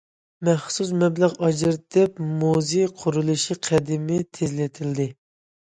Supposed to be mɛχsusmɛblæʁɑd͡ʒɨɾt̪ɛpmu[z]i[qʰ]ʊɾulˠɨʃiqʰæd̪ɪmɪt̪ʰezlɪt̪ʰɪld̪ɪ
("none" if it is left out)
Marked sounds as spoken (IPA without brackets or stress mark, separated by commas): z, qʰ